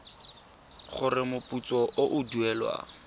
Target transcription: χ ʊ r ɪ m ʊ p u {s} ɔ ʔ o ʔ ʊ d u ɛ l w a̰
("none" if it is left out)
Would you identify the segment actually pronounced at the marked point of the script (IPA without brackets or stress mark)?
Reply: t͡s